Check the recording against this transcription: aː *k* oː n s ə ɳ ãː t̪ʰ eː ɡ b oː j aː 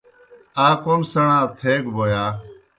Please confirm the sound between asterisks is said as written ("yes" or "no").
yes